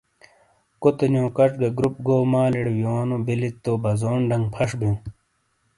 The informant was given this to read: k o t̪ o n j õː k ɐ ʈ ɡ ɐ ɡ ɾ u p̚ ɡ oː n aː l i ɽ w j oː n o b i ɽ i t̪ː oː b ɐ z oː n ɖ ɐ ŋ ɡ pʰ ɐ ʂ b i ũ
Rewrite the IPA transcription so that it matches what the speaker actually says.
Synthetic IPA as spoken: k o t̪ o n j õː k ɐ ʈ ɡ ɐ ɡ ɾ u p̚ ɡ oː m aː l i ɽ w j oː n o b i l i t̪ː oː b ɐ z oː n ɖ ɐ ŋ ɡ pʰ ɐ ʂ b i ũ